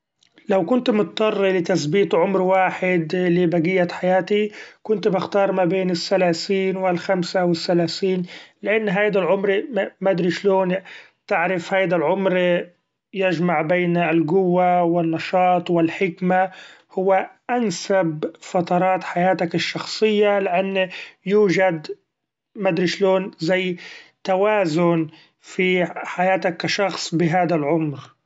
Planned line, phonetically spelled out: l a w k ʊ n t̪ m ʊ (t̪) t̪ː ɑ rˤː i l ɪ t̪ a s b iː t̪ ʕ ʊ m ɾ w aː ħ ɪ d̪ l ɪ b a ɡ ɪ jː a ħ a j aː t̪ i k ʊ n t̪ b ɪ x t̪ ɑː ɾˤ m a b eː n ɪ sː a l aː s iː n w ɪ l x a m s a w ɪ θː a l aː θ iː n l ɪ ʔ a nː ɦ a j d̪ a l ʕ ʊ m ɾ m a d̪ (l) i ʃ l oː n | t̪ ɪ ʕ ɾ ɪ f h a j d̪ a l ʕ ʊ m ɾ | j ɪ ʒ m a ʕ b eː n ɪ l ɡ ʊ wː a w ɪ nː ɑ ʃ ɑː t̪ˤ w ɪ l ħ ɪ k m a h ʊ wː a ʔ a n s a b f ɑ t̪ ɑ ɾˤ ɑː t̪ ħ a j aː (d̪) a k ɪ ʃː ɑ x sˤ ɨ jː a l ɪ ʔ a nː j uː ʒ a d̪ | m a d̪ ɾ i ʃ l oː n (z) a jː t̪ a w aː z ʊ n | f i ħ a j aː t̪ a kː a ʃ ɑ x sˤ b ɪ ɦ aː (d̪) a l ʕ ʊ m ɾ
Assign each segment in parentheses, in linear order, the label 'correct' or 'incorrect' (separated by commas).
correct, incorrect, incorrect, correct, correct